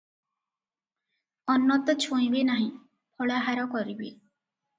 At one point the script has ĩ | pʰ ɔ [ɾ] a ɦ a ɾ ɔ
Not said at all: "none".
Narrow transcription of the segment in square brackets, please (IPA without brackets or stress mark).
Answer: ɭ